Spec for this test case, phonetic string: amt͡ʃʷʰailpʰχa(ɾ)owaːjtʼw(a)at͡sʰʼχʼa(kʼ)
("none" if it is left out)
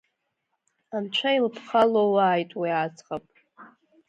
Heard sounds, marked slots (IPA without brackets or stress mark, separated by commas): l, i, pʼ